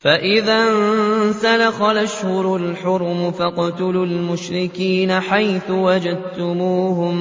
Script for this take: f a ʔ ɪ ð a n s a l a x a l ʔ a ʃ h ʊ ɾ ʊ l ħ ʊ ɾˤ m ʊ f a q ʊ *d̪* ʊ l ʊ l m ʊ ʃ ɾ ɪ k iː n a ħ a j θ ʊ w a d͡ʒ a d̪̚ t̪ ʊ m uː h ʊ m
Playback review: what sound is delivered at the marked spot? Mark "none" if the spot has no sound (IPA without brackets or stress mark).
t̪